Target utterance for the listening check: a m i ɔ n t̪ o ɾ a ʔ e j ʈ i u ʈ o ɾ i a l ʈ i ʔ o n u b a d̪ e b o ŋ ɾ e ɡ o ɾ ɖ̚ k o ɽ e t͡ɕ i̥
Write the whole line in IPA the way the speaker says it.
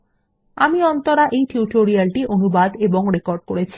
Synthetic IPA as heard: a m i ɔ n t̪ o ɾ a ʔ e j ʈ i u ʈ o ɾ i a l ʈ i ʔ o n u b a d̪ e b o ŋ ɾ e k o ɾ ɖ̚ k o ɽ e t͡ɕʰ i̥